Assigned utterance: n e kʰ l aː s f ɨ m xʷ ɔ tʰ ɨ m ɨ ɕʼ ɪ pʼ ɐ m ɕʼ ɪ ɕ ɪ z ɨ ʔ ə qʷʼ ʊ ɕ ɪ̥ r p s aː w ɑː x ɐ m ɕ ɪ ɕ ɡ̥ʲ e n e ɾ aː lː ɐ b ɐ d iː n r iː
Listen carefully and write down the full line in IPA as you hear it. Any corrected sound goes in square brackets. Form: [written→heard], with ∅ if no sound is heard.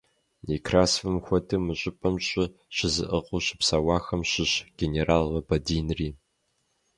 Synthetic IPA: n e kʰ [l→r] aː s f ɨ m xʷ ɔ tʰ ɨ m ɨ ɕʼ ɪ pʼ ɐ m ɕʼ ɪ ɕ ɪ z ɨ ʔ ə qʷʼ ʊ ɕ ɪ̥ [r→∅] p s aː w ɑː x ɐ m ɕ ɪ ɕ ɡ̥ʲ e n e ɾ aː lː ɐ b ɐ d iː n r iː

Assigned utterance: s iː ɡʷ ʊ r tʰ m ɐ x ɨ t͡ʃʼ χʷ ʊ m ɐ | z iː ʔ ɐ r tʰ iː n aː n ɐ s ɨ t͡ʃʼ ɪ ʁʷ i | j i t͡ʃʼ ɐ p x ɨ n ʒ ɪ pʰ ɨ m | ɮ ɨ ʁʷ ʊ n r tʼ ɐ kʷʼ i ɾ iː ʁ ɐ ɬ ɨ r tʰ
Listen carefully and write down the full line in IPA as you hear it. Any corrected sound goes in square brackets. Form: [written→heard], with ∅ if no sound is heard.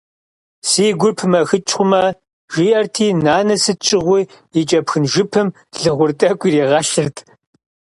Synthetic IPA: s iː ɡʷ ʊ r [tʰ→pʰ] m ɐ x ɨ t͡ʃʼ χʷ ʊ m ɐ | [z→ʒ] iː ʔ ɐ r tʰ iː n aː n ɐ s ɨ t͡ʃʼ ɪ ʁʷ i | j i t͡ʃʼ ɐ p x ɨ n ʒ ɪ pʰ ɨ m | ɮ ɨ ʁʷ ʊ [n→∅] r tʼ ɐ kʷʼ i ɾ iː ʁ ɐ ɬ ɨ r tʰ

